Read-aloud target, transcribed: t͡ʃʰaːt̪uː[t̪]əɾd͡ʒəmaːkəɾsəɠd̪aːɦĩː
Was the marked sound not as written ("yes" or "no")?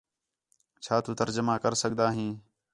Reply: no